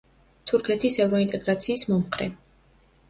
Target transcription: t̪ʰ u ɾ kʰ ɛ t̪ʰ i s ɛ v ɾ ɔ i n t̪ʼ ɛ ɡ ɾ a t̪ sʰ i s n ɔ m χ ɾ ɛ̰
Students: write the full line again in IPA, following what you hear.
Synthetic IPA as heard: t̪ʰ u ɾ kʰ ɛ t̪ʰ i s ɛ v ɾ ɔ i n t̪ʼ ɛ ɡ ɾ a t̪ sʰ iː s m ɔ m χ ɾ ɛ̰